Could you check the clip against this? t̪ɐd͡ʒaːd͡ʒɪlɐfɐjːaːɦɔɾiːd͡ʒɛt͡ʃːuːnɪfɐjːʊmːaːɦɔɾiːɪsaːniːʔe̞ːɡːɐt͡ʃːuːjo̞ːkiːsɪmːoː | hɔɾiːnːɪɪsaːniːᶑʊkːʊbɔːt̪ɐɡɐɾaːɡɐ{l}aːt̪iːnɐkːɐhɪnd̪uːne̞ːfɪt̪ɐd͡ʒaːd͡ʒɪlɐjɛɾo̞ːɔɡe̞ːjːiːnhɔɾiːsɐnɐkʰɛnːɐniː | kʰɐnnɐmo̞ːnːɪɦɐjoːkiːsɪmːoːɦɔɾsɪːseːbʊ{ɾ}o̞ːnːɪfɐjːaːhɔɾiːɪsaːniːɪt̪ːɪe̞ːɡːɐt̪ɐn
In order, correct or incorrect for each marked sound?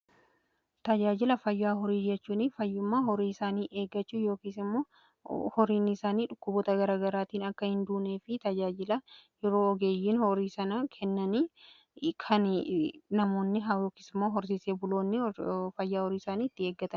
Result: incorrect, incorrect

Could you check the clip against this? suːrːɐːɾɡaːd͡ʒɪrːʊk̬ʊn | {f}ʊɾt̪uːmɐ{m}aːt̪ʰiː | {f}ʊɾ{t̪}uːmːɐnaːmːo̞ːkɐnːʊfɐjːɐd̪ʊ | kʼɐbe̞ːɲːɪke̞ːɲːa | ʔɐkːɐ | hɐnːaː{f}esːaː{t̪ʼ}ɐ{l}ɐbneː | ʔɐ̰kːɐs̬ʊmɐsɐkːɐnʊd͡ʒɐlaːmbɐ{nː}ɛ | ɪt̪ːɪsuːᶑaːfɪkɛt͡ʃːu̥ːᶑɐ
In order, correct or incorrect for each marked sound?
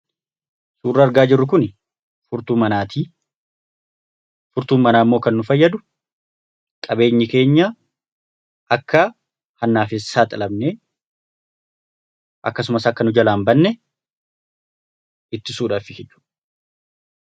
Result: correct, incorrect, correct, correct, correct, correct, correct, correct

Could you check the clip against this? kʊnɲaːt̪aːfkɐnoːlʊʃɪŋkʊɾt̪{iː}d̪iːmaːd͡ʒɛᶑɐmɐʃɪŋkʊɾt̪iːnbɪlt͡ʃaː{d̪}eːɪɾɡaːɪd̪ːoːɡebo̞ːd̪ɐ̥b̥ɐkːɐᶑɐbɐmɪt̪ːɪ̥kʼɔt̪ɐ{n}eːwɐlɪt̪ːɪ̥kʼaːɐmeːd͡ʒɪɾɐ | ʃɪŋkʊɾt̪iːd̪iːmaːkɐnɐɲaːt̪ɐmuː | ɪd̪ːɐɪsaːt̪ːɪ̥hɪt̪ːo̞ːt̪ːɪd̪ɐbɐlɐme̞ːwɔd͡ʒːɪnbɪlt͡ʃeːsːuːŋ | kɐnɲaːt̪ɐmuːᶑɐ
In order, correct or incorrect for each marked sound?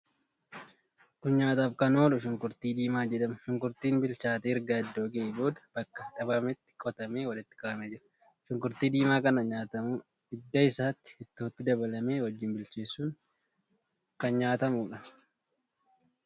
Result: correct, incorrect, incorrect

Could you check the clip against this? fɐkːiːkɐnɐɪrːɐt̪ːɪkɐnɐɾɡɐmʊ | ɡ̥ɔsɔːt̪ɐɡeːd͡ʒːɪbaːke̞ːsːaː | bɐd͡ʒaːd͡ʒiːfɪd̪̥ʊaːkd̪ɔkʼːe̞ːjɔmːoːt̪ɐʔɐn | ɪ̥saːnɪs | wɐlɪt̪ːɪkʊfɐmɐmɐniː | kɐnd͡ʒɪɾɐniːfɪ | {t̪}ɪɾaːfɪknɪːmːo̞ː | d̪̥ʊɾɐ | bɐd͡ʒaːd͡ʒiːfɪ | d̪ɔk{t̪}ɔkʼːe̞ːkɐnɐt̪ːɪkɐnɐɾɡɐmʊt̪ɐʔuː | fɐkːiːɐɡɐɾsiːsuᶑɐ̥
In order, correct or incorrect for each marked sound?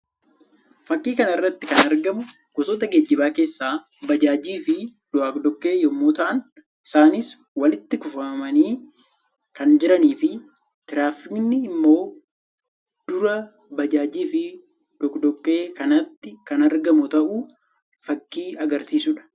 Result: correct, incorrect

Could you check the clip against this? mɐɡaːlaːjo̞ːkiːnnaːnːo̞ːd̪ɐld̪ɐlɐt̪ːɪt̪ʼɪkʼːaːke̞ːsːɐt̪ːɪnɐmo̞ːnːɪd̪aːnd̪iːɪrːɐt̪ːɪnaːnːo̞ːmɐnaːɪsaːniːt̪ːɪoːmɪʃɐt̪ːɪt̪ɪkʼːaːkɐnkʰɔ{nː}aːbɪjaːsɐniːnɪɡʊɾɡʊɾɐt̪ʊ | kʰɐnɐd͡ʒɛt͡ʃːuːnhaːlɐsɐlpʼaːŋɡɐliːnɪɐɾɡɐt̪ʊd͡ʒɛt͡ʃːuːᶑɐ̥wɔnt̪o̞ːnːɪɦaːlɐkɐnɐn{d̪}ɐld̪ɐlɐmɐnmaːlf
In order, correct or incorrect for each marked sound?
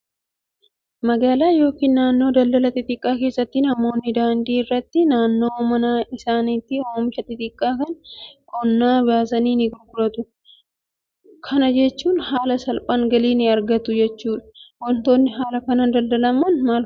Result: correct, correct

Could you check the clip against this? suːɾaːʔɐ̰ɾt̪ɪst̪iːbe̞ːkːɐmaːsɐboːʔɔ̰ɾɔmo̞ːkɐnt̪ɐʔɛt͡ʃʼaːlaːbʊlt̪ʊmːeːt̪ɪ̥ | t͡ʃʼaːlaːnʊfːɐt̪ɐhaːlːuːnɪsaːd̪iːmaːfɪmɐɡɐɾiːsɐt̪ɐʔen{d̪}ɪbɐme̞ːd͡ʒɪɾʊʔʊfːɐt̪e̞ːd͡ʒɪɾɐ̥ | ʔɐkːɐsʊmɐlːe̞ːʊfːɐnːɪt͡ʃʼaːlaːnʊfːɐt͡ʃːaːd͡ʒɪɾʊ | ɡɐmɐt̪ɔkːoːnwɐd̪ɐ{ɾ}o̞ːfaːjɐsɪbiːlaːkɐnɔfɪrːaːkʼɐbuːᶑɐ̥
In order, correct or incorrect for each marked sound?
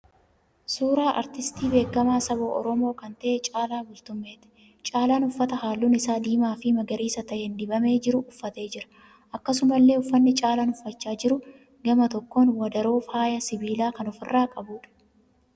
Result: correct, correct

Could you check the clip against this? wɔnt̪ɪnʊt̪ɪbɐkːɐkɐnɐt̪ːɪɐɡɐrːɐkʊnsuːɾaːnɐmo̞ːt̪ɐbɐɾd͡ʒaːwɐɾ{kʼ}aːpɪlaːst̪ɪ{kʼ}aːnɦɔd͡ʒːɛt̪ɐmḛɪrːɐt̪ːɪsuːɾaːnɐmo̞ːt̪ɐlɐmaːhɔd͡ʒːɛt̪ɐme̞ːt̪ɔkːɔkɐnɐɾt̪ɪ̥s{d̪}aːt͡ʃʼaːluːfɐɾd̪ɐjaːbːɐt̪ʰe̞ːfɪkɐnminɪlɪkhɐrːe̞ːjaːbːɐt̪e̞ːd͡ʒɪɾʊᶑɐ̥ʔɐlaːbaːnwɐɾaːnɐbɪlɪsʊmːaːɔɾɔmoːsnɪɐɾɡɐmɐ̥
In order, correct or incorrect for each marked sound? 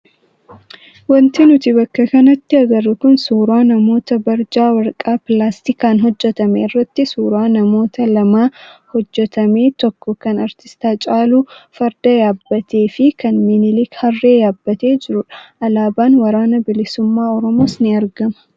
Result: correct, incorrect, incorrect

